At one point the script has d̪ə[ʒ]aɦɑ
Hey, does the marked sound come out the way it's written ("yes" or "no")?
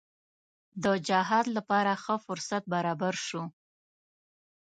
no